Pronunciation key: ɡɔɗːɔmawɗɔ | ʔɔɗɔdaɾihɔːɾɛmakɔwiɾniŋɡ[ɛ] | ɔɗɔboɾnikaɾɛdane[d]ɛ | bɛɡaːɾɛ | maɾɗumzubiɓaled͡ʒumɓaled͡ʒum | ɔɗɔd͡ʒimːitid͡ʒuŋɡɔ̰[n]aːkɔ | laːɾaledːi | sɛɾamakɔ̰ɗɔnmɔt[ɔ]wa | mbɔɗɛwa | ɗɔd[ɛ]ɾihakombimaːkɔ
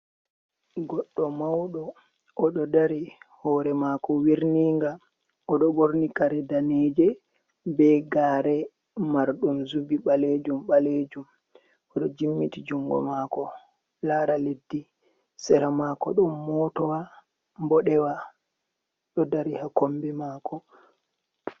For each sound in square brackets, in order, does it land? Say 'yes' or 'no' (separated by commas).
no, no, no, yes, no